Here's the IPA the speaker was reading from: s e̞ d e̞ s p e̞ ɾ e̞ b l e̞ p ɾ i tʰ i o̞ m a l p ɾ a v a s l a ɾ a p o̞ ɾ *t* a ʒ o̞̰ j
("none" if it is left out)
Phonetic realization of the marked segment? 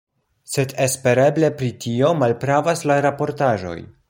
t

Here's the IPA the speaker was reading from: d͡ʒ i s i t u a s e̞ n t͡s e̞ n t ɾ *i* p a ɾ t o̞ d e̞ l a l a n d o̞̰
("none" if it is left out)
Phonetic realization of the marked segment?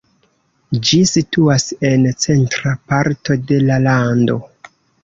a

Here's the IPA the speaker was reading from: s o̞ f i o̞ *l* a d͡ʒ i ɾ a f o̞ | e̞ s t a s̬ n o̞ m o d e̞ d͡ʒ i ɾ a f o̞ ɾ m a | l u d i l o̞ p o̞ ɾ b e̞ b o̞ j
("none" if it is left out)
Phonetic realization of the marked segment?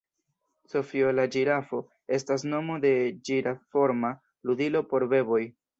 l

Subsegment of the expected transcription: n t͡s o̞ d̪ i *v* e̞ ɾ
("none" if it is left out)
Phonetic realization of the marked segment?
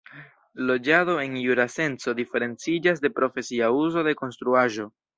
f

